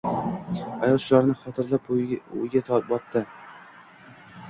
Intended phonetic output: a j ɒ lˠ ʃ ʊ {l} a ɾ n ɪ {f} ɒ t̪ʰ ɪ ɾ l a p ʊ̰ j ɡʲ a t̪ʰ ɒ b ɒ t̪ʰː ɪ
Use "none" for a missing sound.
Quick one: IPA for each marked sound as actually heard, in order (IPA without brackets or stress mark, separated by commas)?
l, χ